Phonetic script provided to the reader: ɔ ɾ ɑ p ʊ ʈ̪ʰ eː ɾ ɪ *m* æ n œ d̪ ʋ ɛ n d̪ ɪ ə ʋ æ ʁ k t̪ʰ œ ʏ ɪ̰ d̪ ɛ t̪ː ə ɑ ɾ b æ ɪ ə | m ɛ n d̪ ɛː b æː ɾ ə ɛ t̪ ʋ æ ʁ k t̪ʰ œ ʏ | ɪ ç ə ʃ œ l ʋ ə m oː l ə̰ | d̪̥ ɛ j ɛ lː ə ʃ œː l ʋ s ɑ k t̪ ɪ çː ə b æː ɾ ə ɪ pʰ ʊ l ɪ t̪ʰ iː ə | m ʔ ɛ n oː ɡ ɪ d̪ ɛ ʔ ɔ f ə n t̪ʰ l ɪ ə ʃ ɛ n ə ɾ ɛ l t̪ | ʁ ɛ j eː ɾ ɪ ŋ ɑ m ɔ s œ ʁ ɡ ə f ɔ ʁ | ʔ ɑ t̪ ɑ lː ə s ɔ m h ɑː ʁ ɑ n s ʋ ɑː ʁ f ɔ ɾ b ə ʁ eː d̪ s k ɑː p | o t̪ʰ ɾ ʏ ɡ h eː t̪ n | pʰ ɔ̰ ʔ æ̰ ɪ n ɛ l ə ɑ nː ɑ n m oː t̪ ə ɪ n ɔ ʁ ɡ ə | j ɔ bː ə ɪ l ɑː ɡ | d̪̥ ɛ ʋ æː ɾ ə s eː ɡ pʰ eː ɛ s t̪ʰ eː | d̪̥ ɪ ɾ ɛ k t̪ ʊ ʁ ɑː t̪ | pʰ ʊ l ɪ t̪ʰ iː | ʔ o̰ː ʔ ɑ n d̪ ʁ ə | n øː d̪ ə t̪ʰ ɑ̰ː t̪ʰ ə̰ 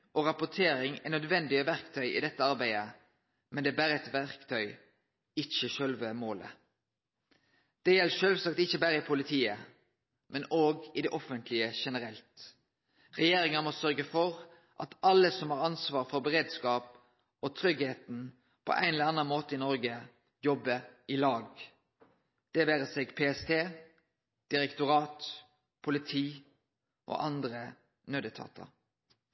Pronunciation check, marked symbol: incorrect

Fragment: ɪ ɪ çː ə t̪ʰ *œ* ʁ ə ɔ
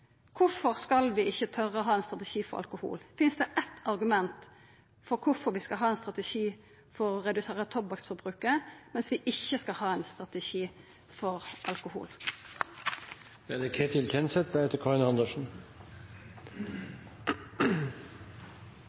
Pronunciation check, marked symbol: correct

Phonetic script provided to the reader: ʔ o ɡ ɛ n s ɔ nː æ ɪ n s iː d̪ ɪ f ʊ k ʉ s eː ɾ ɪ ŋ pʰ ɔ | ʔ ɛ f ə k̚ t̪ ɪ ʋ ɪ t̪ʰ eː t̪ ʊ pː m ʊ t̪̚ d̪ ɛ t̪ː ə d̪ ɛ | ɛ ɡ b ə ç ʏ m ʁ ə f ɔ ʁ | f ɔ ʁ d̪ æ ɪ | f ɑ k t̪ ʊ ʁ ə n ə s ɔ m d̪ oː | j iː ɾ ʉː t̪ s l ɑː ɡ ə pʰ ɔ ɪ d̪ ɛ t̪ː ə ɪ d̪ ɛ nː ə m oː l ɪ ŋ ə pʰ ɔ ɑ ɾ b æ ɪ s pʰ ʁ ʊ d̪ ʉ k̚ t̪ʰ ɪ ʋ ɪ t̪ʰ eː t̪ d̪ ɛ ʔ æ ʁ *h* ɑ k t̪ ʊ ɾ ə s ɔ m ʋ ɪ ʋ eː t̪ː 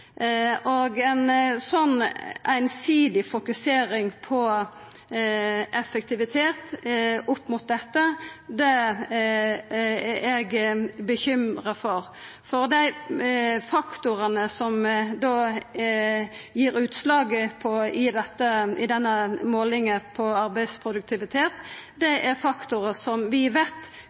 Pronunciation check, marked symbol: incorrect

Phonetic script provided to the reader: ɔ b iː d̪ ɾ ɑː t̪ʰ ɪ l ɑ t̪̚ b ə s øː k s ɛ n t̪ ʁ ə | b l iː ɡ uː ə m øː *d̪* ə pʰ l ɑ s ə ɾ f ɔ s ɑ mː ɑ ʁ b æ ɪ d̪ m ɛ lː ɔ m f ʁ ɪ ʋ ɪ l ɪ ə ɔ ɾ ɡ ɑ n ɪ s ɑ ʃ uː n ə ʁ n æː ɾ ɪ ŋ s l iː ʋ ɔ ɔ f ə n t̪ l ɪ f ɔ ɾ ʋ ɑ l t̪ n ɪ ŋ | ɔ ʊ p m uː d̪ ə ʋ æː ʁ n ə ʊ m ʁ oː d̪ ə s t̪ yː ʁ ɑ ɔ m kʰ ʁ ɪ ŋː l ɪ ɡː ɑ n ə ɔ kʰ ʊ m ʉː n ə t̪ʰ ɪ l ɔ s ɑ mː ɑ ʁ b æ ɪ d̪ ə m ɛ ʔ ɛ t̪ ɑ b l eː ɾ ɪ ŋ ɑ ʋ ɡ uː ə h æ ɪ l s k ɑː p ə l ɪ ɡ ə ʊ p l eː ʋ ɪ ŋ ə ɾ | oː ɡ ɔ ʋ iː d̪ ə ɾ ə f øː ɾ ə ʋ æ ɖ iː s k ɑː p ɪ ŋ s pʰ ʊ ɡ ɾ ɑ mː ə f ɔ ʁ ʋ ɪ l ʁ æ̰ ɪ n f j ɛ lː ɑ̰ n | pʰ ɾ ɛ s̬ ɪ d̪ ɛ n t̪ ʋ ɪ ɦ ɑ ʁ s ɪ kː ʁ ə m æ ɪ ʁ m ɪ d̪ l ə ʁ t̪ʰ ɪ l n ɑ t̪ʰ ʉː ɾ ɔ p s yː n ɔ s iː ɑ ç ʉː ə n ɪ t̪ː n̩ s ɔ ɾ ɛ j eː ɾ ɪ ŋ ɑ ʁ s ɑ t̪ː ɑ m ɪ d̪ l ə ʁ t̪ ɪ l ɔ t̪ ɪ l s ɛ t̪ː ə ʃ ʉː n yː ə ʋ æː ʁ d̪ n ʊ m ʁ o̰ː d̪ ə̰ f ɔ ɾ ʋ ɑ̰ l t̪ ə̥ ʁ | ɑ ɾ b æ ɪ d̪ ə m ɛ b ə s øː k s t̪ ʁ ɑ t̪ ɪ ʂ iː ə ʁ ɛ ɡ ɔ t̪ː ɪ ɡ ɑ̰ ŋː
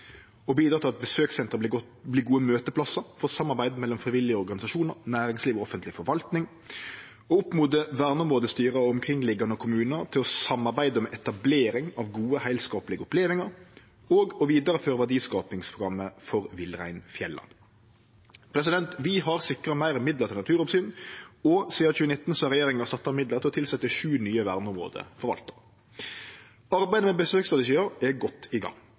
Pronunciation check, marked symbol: incorrect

